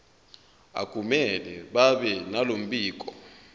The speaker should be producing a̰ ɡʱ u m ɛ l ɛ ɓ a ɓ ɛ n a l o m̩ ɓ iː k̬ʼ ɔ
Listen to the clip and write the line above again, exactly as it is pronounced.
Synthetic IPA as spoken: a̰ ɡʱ u m ɛ l ɛ ɓ a ɓ ɛ n a l o m̩ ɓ iː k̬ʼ ɔ